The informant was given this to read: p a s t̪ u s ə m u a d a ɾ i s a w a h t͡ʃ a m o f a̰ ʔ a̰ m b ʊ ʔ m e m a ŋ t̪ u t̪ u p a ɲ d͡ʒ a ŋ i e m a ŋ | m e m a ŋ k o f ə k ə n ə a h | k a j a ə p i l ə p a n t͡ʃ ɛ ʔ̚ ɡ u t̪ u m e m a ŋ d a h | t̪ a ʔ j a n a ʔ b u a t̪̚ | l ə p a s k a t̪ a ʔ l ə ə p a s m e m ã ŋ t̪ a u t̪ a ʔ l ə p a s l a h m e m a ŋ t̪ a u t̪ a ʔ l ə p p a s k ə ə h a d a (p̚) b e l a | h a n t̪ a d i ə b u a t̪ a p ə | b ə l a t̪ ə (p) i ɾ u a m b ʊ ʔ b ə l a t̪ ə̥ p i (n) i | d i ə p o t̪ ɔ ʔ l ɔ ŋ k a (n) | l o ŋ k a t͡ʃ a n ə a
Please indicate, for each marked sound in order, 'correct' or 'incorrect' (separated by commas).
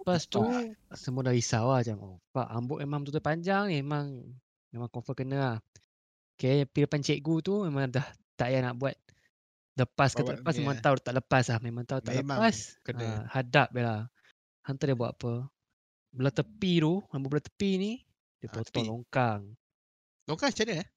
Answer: correct, correct, correct, incorrect